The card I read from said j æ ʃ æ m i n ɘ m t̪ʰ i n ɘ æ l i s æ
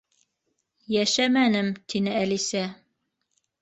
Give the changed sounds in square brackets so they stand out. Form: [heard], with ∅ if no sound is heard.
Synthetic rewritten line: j æ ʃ æ m [æ] n ɘ m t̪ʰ i n ɘ æ l i s æ